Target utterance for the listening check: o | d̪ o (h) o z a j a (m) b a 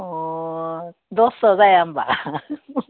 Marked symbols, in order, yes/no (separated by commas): no, yes